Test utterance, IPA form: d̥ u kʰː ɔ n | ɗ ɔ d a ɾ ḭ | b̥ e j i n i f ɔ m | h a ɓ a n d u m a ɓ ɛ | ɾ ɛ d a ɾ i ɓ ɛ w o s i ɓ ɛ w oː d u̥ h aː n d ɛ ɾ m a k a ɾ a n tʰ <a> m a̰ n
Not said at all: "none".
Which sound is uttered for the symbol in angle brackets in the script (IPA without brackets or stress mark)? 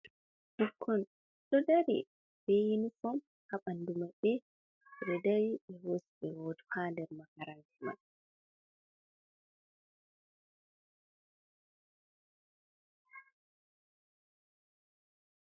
i